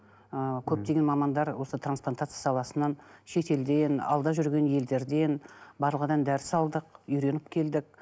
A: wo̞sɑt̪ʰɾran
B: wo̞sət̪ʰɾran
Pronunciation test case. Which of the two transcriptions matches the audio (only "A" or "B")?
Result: B